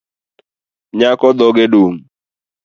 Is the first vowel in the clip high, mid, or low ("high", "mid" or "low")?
low